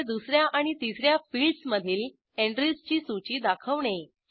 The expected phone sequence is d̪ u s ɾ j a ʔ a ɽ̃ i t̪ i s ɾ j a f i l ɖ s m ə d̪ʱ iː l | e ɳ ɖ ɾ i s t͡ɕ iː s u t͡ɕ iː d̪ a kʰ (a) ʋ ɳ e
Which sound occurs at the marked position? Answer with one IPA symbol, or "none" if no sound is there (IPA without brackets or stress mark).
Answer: ə